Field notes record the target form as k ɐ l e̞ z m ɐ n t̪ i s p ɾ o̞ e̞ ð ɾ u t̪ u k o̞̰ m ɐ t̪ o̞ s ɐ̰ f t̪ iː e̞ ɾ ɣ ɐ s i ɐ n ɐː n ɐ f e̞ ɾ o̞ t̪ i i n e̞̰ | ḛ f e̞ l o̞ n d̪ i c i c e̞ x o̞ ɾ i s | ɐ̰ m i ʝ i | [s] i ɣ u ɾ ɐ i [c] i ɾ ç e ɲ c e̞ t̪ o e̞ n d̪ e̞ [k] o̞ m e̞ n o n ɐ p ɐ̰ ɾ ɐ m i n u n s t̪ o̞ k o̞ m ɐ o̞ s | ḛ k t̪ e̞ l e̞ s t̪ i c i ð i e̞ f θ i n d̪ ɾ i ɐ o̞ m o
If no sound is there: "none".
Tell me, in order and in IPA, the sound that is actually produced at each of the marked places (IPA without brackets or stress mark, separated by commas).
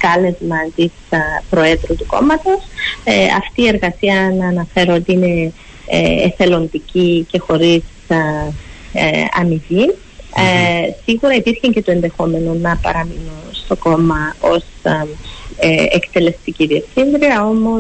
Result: s, p, x